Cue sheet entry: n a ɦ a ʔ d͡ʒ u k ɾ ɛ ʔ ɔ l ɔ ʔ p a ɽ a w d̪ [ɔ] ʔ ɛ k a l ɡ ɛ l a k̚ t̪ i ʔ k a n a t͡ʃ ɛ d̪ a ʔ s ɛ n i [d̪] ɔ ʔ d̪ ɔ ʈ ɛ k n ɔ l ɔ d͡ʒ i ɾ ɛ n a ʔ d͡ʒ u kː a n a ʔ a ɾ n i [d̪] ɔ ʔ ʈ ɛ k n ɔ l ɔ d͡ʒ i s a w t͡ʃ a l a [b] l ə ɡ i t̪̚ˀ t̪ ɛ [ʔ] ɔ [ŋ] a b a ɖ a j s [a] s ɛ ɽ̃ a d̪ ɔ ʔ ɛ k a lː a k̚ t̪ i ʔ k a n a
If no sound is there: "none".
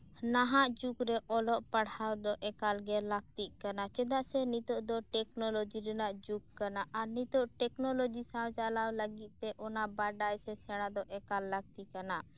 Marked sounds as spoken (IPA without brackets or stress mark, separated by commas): ɔ, t̪, t̪, w, ʔ, n, ɛ